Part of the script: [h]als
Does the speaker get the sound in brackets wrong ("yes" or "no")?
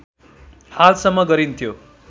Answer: no